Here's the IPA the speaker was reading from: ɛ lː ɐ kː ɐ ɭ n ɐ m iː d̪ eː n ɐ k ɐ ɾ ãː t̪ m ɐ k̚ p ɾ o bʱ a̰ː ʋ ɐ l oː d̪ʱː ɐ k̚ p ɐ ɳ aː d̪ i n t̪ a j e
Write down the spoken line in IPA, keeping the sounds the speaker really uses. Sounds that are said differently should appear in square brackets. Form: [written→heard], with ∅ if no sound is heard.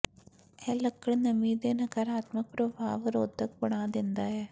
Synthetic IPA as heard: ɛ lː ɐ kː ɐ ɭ n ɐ m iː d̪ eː n ɐ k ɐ ɾ [ãː→aː] t̪ m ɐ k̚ p ɾ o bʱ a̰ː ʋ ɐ [l→ɾ] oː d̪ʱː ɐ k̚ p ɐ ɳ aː d̪ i n [t̪→d̪] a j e